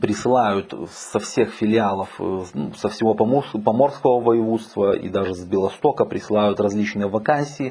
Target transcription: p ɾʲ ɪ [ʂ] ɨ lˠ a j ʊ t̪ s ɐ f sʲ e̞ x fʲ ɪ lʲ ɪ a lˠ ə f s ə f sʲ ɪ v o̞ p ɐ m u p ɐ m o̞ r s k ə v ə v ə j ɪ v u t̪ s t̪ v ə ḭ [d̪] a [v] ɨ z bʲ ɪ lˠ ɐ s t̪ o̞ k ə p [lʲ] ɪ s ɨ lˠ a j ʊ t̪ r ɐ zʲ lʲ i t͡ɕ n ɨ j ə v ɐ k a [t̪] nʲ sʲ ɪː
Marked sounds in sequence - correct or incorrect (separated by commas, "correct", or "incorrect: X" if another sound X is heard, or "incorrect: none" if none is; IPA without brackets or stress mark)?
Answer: incorrect: s, correct, incorrect: ʐ, incorrect: ɾʲ, incorrect: none